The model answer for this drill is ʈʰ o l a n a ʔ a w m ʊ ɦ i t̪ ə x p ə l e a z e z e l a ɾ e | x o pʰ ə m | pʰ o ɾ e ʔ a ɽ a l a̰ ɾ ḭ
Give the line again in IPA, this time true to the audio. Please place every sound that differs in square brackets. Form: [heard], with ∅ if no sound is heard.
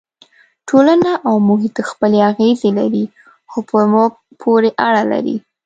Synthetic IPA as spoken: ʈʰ o l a n a ʔ a w m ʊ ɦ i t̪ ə x p ə l e a [ɣ] e z e l a ɾ [i] | x o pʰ ə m | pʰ o ɾ e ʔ a ɽ a l a̰ ɾ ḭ

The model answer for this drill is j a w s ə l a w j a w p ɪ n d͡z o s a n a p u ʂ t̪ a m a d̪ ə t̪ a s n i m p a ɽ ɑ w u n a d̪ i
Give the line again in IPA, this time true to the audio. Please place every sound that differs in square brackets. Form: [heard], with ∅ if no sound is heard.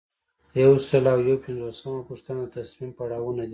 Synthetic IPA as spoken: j a w s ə l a w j a w p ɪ n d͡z o s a [m] a p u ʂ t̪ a [n] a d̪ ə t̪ a s [m] i m p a ɽ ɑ w u n a d̪ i

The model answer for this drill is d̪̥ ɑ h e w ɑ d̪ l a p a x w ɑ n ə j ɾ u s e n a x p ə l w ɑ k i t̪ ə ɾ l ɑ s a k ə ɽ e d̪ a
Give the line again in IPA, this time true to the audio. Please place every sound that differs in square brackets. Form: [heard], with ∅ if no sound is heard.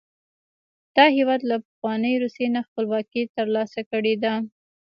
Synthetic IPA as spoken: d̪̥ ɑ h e w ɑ d̪ l a p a x w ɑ n ə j ɾ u s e n a x p ə l w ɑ k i t̪ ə ɾ l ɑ s a k ə ɽ e d̪ a

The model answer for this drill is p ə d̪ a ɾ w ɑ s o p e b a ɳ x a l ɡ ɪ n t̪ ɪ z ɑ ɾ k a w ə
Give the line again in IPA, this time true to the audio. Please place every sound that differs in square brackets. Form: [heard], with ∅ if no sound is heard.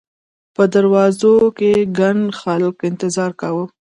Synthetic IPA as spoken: p ə d̪ a ɾ w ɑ [z] o [k] e [ɡ] a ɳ x a l [k] ɪ n t̪ ɪ z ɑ ɾ k a w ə

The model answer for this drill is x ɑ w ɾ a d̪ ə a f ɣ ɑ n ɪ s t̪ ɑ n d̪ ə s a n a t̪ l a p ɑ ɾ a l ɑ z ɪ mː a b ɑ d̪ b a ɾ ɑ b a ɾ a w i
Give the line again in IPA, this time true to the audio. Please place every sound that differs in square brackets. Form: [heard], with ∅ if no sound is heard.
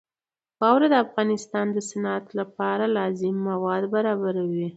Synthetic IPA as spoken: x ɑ w ɾ a d̪ ə a f ɣ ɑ n ɪ s t̪ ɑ n d̪ ə s a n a t̪ l a p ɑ ɾ a l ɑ z ɪ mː a [w] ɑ d̪ b a ɾ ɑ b a ɾ a w i

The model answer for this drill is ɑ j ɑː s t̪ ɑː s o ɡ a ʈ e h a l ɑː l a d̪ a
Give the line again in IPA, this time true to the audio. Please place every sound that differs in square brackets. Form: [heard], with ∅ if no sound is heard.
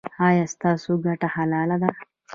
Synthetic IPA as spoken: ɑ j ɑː s t̪ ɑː s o ɡ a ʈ [a] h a l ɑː l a d̪ a

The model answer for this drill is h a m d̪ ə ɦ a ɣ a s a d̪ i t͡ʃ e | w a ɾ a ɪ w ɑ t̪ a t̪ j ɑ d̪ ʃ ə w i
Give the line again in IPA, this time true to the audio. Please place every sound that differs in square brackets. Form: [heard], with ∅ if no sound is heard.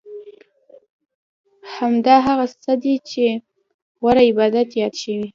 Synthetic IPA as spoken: h a m d̪ [ɑ] ɦ a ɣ a s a d̪ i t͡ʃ e | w a ɾ a ɪ [b] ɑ [d̪] a t̪ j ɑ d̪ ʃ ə w i

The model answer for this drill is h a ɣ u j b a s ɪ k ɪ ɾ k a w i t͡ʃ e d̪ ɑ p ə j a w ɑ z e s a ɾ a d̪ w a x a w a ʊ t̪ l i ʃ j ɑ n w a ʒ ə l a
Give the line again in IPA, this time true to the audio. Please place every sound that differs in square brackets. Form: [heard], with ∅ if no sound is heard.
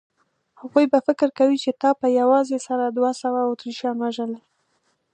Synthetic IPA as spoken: h a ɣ u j b a [f] ɪ k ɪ ɾ k a w i t͡ʃ e [t̪] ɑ p ə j a w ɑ z e s a ɾ a d̪ w a [s] a w a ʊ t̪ [ɾ] i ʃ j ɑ n w a ʒ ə l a

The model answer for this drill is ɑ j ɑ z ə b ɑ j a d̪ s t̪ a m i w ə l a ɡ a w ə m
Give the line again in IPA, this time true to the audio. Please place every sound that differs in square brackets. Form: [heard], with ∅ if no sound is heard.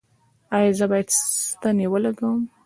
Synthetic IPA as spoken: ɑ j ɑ z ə b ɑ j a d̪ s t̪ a [n] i w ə l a ɡ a w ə m

